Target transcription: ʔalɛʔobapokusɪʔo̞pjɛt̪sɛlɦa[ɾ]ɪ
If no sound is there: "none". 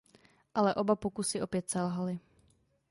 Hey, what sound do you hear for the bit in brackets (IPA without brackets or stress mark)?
l